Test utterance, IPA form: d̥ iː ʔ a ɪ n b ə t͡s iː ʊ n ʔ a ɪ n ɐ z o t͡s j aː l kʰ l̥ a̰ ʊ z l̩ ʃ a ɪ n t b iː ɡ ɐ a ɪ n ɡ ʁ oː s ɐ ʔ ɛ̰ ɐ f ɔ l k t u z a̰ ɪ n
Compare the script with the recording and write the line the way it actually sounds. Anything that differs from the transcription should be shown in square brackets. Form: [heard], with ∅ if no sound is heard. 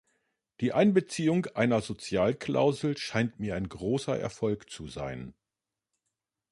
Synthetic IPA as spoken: d̥ iː ʔ a ɪ n b ə t͡s iː ʊ [ŋ] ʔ a ɪ n ɐ z o t͡s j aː l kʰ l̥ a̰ ʊ z l̩ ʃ a ɪ n t [m] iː [∅] ɐ a ɪ n ɡ ʁ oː s ɐ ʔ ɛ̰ ɐ f ɔ l k [t͡s] u z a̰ ɪ n